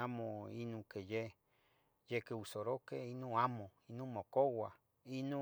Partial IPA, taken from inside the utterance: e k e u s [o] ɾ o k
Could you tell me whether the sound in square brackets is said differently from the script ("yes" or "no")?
no